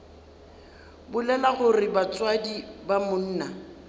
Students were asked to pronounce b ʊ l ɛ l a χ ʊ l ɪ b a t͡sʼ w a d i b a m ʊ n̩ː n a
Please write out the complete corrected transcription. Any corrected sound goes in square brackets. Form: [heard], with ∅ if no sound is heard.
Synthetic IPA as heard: b ʊ l ɛ l a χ ʊ [r] ɪ b a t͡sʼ w a d i b a m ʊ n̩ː n a